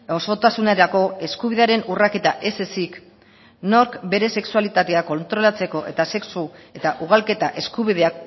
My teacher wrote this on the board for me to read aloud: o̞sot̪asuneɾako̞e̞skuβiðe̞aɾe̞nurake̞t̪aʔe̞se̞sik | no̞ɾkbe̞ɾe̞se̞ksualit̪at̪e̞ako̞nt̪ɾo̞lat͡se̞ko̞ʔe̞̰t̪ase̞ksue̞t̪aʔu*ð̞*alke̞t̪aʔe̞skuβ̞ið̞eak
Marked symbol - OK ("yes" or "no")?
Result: no